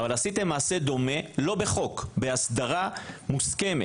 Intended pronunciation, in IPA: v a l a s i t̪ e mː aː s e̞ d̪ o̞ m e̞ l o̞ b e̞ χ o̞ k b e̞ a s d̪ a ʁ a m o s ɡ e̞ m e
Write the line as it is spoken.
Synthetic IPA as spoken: v a l a s i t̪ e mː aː s e̞ d̪ o̞ m e̞ l o̞ b e̞ χ o̞ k b e̞ a s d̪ a ʁ a m u s k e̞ m e